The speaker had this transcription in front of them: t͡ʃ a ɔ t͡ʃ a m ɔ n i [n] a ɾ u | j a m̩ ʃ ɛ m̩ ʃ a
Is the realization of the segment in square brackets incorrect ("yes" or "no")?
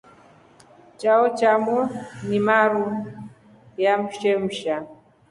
yes